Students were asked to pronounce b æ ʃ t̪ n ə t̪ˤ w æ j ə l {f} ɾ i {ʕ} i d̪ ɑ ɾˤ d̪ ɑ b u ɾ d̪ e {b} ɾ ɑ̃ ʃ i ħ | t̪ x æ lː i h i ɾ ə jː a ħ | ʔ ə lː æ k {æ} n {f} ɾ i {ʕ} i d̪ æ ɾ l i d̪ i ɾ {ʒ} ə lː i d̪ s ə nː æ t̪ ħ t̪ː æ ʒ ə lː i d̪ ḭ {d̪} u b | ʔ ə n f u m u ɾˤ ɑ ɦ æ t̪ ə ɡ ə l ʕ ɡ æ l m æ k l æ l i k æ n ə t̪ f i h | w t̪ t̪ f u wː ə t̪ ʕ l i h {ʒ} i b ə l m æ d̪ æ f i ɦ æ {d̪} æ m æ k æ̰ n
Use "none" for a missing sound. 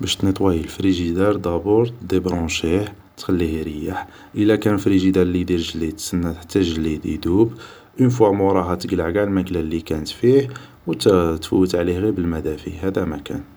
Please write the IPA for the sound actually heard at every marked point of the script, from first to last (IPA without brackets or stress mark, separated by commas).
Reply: f, ʒ, b, æ, f, ʒ, ʒ, d̪, ɣ, d̪